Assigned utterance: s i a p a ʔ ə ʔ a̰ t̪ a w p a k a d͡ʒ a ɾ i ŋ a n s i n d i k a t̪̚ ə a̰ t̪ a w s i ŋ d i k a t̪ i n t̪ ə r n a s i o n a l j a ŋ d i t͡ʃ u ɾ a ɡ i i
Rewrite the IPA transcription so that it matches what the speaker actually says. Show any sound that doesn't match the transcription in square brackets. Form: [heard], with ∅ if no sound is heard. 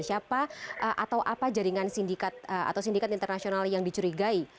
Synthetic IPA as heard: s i a p a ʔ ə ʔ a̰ t̪ a w [ʔ] a [p] a d͡ʒ a ɾ i ŋ a n s i n d i k a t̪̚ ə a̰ t̪ a w s i [n] d i k a t̪ i n t̪ ə r n a s i o n a l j a ŋ d i t͡ʃ u ɾ [i] ɡ [a] i